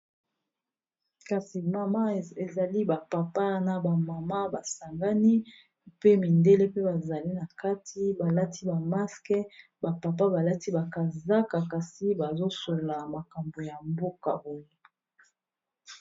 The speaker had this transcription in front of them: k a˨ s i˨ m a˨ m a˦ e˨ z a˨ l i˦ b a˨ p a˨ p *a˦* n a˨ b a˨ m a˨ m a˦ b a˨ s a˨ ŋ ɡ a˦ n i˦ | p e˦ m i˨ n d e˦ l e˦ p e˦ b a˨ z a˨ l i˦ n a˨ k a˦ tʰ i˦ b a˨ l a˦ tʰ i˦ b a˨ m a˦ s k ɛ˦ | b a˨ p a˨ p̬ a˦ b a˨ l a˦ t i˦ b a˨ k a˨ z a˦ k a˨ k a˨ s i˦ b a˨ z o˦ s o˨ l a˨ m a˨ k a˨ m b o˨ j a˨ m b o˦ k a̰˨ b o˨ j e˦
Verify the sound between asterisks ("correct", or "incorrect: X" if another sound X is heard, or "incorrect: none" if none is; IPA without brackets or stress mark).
correct